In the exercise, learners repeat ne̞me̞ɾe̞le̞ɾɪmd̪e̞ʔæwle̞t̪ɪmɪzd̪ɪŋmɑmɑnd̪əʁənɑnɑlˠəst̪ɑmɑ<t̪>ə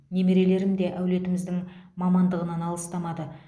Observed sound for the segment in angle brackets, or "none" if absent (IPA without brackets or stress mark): d̪